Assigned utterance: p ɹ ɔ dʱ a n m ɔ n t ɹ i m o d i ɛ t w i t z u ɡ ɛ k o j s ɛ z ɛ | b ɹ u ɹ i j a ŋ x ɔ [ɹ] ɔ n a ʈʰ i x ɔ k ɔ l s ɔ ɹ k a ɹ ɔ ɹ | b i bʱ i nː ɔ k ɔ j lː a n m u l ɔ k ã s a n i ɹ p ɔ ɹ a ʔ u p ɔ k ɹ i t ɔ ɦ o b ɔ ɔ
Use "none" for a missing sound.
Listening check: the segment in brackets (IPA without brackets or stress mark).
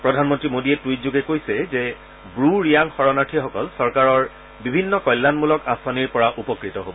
ɹ